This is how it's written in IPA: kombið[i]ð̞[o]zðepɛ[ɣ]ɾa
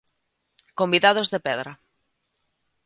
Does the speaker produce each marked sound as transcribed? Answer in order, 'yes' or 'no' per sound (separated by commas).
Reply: no, yes, no